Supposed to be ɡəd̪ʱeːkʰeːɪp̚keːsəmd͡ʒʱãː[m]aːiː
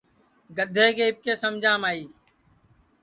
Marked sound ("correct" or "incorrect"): correct